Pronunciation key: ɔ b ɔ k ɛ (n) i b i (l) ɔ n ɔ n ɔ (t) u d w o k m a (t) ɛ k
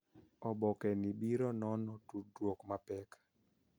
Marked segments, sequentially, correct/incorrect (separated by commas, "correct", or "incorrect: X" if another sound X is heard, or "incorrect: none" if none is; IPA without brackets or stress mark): correct, incorrect: ɾ, correct, incorrect: p